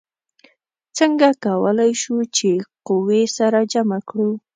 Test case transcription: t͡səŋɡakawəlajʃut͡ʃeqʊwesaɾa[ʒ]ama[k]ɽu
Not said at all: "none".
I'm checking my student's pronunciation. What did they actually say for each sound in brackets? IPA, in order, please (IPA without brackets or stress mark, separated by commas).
d͡ʒ, k